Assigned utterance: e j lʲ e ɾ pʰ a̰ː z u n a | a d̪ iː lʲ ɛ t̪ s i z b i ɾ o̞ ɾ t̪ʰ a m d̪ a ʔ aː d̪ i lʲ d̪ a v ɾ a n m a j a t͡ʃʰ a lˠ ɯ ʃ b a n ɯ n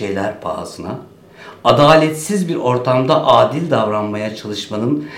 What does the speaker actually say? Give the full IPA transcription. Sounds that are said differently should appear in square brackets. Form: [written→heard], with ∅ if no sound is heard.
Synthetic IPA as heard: e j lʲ [e→æ] ɾ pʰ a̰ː z [u→ɯ] n a | a d̪ [iː→aː] lʲ ɛ t̪ s i z b i ɾ o̞ ɾ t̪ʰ a m d̪ a ʔ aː d̪ i lʲ d̪ a v ɾ a n m a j a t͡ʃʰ a lˠ ɯ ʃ [b→m] a n ɯ n